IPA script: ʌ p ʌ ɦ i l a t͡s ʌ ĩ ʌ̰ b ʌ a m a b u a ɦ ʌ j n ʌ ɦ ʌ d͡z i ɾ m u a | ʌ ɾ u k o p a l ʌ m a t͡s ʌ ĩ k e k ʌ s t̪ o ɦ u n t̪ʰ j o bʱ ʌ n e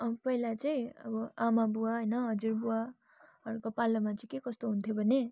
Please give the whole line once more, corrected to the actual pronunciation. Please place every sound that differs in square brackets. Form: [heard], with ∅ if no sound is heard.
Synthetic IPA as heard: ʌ p ʌ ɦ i l a t͡s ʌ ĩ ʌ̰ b ʌ a m a b u a ɦ ʌ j n ʌ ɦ ʌ d͡z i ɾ [b] u a | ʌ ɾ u k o p a l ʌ m a t͡s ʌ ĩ k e k ʌ s t̪ o ɦ u n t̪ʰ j o bʱ ʌ n e